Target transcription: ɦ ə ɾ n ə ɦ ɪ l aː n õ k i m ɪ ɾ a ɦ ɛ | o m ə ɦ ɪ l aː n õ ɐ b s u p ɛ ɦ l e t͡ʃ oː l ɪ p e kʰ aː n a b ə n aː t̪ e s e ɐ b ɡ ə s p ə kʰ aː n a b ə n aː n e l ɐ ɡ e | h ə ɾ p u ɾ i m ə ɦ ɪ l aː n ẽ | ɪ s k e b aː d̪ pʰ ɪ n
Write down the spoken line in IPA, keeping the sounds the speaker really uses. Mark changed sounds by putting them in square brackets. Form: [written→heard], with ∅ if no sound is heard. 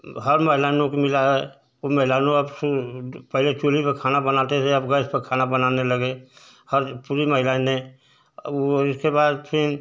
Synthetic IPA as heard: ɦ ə ɾ [n→m] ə ɦ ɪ l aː n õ k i m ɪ [ɾ→l] a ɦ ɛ | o m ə ɦ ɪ l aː n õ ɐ b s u p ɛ ɦ l e t͡ʃ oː l [ɪ→i] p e kʰ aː n a b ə n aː t̪ e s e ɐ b ɡ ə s p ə kʰ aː n a b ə n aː n e l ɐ ɡ e | h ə ɾ p u ɾ i m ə ɦ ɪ l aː n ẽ | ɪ s k e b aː d̪ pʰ ɪ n